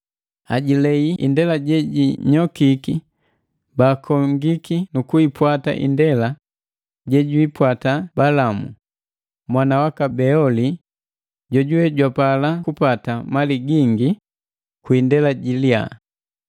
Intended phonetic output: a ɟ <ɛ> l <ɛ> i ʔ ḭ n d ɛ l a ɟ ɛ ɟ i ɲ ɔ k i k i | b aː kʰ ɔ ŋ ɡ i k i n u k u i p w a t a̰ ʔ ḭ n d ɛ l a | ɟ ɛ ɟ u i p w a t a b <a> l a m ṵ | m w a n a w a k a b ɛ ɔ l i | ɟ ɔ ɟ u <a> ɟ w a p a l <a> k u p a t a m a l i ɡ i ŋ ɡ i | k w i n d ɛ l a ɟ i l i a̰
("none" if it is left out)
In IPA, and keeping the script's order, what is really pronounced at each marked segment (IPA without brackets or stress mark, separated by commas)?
i, ɛ, a, ɛ, a